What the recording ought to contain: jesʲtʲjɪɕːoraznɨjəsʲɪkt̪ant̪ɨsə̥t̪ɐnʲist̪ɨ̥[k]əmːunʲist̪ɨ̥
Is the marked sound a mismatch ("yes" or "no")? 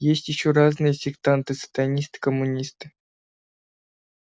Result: no